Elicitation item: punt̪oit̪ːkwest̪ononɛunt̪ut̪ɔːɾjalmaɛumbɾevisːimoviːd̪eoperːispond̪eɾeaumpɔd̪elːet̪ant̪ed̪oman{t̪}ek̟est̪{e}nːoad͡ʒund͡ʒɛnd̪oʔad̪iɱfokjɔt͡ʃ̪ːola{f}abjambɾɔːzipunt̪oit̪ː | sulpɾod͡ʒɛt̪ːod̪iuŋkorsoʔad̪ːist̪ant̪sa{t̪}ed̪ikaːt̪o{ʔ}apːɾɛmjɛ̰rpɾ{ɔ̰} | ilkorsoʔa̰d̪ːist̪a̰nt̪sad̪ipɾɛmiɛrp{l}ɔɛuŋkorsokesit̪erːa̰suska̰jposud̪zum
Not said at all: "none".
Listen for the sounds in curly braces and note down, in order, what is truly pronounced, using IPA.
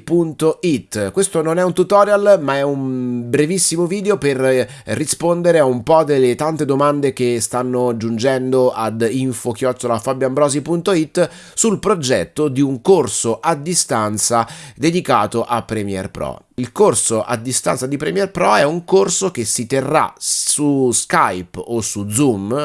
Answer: d̪, a, f, d̪, ʔ, ɔ̰, ɾ

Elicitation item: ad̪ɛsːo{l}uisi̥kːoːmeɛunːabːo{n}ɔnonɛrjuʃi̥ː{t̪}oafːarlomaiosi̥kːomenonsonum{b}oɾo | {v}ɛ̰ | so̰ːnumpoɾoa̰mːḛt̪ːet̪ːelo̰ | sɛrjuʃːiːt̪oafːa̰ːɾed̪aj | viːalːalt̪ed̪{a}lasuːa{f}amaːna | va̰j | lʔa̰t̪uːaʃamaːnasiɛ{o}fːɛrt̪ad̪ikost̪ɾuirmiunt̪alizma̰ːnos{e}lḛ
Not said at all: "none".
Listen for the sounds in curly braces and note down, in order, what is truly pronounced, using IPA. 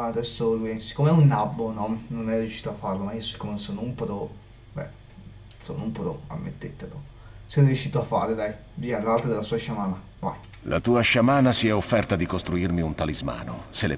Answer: l, n, t̪, p, b, e, ʃ, o, e

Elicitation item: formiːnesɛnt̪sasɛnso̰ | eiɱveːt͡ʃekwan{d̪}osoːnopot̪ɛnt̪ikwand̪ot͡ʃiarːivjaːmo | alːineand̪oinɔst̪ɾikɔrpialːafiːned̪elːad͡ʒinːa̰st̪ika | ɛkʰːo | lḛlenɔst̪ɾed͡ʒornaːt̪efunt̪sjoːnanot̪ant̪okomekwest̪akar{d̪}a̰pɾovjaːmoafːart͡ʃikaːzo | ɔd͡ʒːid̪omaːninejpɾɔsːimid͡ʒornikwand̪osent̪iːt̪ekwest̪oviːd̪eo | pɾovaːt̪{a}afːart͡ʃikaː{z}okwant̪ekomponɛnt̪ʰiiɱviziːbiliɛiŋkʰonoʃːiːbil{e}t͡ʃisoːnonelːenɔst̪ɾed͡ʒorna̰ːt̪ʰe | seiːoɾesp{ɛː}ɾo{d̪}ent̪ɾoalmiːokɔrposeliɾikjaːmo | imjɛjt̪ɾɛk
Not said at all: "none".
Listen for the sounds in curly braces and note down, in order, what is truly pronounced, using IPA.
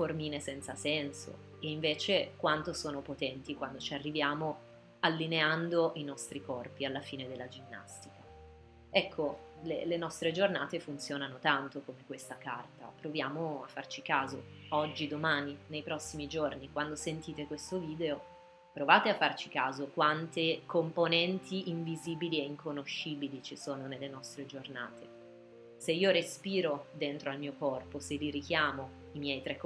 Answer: t̪, t̪, e, z, i, iː, d̪

